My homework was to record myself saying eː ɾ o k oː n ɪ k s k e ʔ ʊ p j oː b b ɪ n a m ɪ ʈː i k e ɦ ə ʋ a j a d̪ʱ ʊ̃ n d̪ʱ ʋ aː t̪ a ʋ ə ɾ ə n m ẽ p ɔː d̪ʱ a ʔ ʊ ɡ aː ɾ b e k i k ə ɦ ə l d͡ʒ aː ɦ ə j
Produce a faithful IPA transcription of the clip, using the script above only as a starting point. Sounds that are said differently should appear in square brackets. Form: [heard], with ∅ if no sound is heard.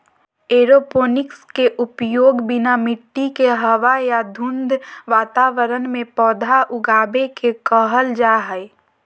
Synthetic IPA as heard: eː ɾ o [p] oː n ɪ k s k e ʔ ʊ p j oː [ɡ] b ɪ n a m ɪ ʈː i k e ɦ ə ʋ a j a d̪ʱ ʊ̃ n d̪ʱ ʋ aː t̪ a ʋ ə ɾ ə n m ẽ p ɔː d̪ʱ a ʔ ʊ ɡ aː [∅] b e k [e] k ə ɦ ə l d͡ʒ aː ɦ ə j